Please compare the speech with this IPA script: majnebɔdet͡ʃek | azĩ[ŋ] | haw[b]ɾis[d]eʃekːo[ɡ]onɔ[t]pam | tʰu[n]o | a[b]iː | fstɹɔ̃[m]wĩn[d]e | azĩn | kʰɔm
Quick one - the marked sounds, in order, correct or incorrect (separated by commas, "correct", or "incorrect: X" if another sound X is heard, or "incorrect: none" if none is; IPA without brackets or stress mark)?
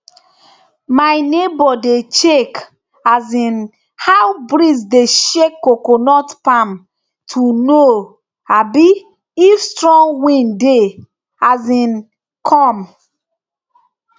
incorrect: n, correct, correct, incorrect: k, correct, correct, correct, incorrect: ŋ, correct